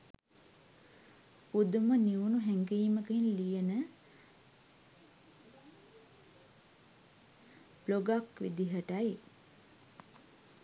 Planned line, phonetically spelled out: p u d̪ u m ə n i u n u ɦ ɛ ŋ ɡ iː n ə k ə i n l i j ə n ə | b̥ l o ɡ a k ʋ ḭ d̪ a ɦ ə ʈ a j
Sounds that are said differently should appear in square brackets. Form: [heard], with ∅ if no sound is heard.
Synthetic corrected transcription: p u d̪ u m ə n i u n u ɦ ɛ ŋ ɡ iː [m] ə k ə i n l i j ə n ə | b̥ l o ɡ a k ʋ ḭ d̪ [i] ɦ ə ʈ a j